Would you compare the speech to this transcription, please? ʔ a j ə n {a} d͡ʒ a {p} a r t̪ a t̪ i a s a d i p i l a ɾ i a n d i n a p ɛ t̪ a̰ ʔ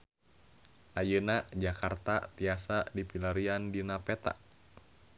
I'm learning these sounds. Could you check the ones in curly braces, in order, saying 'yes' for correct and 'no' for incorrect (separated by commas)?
yes, no